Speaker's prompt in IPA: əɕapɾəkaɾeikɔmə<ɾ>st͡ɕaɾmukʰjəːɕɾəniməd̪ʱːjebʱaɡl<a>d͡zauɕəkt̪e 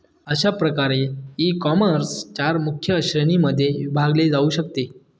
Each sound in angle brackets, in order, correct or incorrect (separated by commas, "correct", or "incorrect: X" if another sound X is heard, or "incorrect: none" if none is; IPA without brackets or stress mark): correct, incorrect: e